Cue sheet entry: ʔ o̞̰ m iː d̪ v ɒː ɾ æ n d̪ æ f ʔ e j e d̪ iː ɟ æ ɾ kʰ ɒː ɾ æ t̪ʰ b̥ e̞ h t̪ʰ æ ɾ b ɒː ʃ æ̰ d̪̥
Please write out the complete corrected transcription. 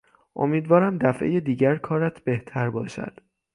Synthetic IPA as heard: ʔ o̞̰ m iː d̪ v ɒː ɾ æ m d̪ æ f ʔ e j e d̪ iː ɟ æ ɾ kʰ ɒː ɾ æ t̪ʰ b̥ e̞ h t̪ʰ æ ɾ b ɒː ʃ æ̰ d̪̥

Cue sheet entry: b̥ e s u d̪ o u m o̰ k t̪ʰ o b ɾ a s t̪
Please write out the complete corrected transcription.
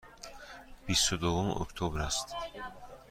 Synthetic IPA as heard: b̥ i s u d̪ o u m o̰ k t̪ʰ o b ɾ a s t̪

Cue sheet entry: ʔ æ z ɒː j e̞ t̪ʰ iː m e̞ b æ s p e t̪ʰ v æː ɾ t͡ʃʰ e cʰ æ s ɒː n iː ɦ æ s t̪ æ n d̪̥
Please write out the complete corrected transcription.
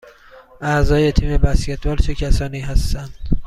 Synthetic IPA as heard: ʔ æ z ɒː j e̞ t̪ʰ iː m e̞ b æ s c e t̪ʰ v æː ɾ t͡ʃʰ e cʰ æ s ɒː n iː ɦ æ s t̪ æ n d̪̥

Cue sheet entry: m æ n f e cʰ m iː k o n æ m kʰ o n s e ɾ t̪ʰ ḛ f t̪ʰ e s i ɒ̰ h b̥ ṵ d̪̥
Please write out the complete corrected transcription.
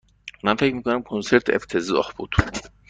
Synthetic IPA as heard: m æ n f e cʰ m iː k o n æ m kʰ o n s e ɾ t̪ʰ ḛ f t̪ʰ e z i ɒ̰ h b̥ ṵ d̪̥

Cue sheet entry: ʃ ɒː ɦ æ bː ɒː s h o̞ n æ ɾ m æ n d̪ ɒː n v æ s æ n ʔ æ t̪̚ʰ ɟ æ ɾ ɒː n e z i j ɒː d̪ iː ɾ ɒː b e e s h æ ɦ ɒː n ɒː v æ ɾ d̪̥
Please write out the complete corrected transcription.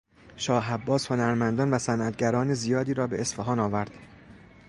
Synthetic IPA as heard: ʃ ɒː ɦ æ bː ɒː s h o̞ n æ ɾ m æ n d̪ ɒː n v æ s æ n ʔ æ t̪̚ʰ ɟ æ ɾ ɒː n e z i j ɒː d̪ iː ɾ ɒː b e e s f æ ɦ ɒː n ɒː v æ ɾ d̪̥

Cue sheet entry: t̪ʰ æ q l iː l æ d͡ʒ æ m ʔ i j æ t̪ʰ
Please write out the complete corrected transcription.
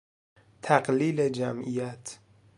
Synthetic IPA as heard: t̪ʰ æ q l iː l e d͡ʒ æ m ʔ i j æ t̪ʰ

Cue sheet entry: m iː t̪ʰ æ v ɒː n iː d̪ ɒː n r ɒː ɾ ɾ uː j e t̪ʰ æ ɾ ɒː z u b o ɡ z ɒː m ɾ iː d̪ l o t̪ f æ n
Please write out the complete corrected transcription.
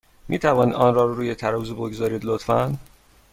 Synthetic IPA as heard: m iː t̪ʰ æ v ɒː n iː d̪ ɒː n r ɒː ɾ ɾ uː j e t̪ʰ æ ɾ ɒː z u b o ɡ z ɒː ɾ iː d̪ l o t̪ f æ n

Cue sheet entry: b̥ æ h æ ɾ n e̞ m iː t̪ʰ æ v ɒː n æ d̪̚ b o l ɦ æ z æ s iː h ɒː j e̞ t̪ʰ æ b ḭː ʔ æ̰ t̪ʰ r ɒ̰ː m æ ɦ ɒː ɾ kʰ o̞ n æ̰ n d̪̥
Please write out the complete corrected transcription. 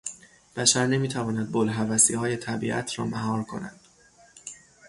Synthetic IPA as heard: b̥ æ ʃ æ ɾ n e̞ m iː t̪ʰ æ v ɒː n æ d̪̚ b o l ɦ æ v æ s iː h ɒː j e̞ t̪ʰ æ b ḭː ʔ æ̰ t̪ʰ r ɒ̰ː m æ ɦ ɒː ɾ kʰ o̞ n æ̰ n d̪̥

